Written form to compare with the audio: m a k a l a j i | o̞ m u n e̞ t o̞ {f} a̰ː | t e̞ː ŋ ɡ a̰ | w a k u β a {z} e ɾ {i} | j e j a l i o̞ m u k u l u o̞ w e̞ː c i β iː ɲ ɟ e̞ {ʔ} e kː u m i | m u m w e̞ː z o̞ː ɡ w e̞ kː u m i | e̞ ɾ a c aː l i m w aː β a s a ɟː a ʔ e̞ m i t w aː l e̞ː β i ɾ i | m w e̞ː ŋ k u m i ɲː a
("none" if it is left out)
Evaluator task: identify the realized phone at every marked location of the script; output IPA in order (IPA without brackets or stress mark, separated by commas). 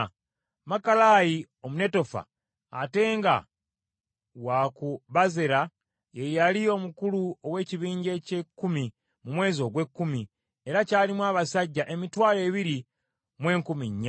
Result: f, z, a, c